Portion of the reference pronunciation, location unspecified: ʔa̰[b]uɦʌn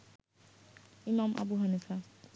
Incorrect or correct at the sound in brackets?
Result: correct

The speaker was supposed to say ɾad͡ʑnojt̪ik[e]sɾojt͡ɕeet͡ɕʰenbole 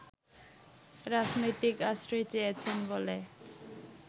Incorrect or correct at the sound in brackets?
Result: incorrect: a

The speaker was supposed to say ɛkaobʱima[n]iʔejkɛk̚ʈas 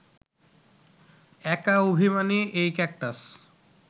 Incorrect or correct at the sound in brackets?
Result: correct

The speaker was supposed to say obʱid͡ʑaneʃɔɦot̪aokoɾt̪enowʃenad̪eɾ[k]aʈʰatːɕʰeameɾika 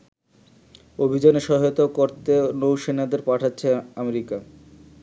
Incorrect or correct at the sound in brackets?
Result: incorrect: p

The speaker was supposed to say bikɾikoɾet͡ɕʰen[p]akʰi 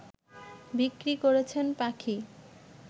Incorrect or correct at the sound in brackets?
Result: correct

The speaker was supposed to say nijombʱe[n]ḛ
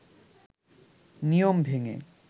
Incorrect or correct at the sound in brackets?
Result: incorrect: ŋ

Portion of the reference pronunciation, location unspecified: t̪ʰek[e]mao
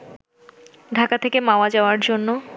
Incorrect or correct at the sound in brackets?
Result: correct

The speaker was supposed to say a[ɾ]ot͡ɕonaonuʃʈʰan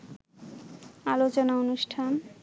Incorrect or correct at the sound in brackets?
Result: incorrect: l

